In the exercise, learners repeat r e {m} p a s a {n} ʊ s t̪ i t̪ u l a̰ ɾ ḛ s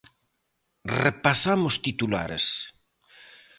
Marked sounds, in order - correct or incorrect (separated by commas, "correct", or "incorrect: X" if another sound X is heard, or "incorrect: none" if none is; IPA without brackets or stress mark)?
incorrect: none, incorrect: m